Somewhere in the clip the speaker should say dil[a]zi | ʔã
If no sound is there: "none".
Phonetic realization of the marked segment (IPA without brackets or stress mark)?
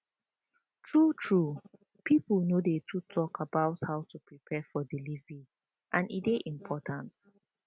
i